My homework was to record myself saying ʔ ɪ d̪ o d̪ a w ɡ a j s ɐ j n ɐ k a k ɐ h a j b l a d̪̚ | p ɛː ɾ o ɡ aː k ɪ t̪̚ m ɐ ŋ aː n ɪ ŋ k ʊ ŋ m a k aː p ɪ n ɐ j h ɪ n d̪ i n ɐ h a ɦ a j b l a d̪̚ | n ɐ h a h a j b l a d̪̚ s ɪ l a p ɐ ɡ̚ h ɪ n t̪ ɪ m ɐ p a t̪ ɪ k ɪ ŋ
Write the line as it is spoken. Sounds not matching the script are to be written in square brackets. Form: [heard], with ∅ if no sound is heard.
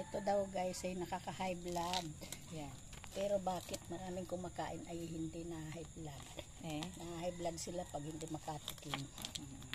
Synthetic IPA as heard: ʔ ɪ [t̪] o d̪ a w ɡ a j s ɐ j n ɐ k a k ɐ h a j b l a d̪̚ | p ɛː ɾ o [b] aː k ɪ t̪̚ m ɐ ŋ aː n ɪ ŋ k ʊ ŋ m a k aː [ʔ] ɪ n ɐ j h ɪ n d̪ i n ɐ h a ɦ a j b l a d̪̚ | n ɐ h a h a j b l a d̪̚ s ɪ l a p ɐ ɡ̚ h ɪ n [d̪] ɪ m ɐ [k] a t̪ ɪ k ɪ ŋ